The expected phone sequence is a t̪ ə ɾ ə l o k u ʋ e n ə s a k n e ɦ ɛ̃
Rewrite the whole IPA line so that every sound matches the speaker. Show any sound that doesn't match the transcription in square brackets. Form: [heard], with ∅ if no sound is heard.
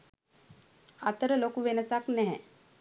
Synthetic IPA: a t̪ ə ɾ ə l o k u ʋ e n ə s a k n [ɛ] ɦ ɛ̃